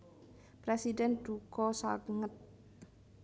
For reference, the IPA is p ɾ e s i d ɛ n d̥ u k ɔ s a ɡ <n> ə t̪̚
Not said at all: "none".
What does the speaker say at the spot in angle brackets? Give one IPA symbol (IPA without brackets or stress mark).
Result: ŋ